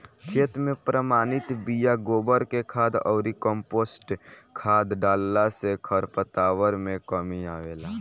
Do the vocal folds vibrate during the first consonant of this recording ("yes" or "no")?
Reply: no